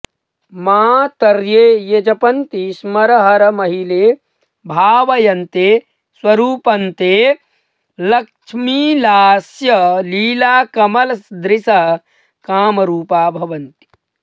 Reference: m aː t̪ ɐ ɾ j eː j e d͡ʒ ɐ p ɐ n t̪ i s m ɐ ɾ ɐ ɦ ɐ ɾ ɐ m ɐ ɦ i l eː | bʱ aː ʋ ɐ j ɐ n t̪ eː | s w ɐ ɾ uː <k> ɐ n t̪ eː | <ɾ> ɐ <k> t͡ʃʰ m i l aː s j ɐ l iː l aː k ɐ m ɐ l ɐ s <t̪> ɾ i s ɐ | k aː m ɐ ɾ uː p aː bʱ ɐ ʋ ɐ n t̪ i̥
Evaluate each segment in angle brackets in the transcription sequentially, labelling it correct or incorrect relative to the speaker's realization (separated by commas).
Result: incorrect, incorrect, correct, incorrect